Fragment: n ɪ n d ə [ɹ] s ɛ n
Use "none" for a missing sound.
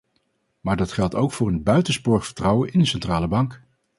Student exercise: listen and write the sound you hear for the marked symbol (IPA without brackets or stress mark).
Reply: none